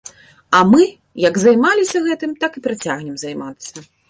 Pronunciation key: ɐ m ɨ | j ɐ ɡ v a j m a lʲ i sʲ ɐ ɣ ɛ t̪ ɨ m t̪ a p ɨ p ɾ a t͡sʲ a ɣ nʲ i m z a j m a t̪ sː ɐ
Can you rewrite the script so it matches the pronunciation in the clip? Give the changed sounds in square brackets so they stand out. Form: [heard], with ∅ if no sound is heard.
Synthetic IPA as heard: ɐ m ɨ | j ɐ ɡ [z] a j m a lʲ i sʲ ɐ ɣ ɛ t̪ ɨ m t̪ a [k] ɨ p ɾ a t͡sʲ a ɣ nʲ [ɛ] m z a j m a t̪ sː ɐ